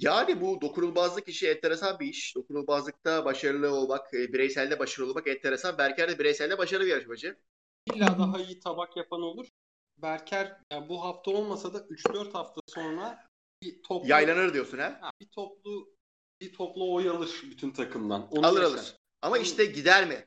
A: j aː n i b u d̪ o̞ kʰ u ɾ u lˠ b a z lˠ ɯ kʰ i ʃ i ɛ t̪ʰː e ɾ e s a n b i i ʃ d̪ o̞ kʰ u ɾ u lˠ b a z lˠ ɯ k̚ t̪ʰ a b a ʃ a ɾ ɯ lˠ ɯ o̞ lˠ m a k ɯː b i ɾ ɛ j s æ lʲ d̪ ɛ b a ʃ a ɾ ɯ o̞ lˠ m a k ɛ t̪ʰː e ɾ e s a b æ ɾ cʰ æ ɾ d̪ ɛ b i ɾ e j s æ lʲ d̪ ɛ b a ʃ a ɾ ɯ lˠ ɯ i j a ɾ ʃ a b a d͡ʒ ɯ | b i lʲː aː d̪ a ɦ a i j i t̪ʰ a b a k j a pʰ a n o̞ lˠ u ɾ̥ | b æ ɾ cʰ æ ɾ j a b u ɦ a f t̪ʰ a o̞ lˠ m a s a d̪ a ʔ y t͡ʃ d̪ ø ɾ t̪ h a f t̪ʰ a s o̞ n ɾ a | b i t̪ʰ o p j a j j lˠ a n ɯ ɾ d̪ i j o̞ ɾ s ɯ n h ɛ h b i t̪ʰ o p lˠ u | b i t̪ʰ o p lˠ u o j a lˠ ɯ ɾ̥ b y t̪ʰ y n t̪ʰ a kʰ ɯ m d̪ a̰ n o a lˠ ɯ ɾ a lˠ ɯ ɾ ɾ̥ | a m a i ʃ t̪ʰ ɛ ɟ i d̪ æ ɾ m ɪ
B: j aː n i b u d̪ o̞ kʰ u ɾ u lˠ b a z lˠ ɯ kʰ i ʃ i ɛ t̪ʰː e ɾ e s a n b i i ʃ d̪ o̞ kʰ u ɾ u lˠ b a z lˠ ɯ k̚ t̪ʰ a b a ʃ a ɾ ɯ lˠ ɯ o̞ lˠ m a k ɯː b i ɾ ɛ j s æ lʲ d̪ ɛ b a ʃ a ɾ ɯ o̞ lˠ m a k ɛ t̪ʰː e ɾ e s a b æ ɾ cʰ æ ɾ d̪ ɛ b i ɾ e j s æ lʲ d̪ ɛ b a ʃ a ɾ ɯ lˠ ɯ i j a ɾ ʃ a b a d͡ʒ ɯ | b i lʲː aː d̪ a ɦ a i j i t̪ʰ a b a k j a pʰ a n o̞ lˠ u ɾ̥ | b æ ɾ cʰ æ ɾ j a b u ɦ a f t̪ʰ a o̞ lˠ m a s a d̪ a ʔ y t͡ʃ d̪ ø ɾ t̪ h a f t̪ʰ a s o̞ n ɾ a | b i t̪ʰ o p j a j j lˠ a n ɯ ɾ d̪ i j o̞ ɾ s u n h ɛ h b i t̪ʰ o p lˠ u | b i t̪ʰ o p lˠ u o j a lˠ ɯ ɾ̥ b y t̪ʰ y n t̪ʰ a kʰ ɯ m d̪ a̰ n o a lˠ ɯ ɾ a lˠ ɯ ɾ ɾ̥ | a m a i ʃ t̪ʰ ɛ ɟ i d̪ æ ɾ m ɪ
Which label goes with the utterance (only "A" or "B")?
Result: B